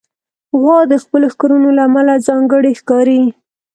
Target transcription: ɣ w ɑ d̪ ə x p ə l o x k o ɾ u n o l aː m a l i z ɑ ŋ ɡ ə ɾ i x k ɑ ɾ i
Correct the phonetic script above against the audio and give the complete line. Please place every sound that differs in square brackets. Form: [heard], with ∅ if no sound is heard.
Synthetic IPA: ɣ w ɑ d̪ ə x p ə l o x k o ɾ u n o l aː m a l [a] z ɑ ŋ ɡ ə [ɽ] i x k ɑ ɾ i